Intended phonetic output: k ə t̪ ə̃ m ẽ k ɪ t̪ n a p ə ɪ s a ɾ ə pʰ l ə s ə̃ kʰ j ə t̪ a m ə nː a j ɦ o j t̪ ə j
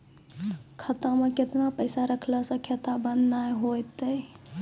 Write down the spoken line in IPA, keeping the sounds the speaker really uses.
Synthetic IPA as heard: kʰ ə t̪ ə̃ m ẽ k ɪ t̪ n a p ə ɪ s a ɾ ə kʰ l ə s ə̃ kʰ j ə t̪ a b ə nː a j ɦ o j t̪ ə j